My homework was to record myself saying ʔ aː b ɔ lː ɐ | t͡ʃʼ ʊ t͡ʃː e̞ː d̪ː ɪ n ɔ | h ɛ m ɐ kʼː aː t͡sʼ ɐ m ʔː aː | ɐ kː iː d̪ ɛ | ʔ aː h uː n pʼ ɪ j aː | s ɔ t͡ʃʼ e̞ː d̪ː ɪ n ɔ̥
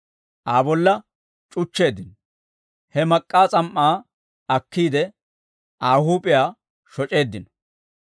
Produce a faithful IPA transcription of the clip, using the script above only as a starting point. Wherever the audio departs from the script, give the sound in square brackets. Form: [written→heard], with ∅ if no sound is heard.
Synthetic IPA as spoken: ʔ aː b ɔ lː ɐ | t͡ʃʼ ʊ t͡ʃː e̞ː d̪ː ɪ n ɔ | h ɛ m ɐ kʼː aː t͡sʼ ɐ m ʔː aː | ɐ kː iː d̪ ɛ | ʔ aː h uː [n→∅] pʼ ɪ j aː | [s→ʃ] ɔ t͡ʃʼ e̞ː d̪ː ɪ n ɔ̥